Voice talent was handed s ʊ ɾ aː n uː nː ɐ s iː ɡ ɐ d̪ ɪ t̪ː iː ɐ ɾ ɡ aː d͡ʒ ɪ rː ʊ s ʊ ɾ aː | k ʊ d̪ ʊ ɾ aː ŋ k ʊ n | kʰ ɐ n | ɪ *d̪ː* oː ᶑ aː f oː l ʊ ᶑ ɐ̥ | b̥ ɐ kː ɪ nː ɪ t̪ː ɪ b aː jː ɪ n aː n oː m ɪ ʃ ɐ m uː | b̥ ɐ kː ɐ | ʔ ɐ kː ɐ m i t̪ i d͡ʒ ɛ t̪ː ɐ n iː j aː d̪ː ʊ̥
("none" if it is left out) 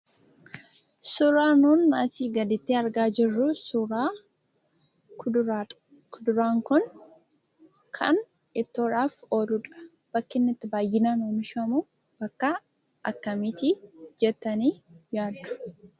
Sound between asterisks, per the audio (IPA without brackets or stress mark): t̪ː